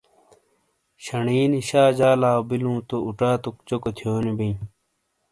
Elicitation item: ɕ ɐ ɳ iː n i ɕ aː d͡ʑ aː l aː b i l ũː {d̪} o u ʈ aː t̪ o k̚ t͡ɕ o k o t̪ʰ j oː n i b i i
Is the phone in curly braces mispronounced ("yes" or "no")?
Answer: yes